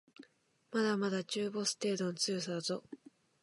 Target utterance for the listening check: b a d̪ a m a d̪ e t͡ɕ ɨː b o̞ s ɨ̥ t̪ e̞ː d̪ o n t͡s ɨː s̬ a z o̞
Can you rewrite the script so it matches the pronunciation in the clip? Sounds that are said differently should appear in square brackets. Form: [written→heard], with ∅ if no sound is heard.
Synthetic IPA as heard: [b→m] a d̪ a m a d̪ [e→a] t͡ɕ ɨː b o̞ s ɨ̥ t̪ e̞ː d̪ o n t͡s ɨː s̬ a z o̞